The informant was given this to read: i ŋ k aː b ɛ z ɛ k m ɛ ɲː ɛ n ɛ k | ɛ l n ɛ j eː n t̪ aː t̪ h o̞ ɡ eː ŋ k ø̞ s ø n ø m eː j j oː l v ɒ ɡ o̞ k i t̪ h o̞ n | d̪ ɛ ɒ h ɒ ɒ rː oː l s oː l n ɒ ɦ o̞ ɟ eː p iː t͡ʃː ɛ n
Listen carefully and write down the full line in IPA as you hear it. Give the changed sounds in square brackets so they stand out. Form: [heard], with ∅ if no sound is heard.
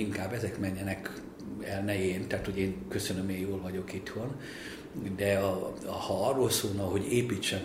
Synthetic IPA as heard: i ŋ k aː b ɛ z ɛ k m ɛ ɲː ɛ n ɛ k | ɛ l n ɛ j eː n t̪ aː t̪ h o̞ [ɟ] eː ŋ k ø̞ s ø n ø m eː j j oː l v ɒ [ɟ] o̞ k i t̪ h o̞ n | d̪ ɛ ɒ h ɒ ɒ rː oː l s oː l n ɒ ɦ o̞ ɟ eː p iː t͡ʃː ɛ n